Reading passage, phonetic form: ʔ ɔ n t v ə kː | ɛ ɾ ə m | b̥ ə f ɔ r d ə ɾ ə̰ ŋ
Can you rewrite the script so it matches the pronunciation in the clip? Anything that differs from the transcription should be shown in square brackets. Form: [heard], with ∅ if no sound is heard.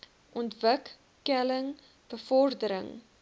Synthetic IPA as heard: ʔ ɔ n t v ə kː | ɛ [l] ə [ŋ] | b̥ ə f ɔ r d ə ɾ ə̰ ŋ